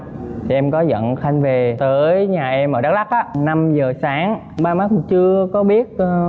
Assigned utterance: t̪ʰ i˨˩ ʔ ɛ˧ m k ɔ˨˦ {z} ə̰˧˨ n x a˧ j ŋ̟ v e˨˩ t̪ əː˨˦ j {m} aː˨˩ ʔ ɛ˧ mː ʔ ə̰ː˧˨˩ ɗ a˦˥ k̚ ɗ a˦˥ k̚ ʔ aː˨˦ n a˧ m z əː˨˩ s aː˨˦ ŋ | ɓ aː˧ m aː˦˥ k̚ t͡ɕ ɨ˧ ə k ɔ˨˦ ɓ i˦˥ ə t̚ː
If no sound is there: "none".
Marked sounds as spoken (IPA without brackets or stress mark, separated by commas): z, ɲ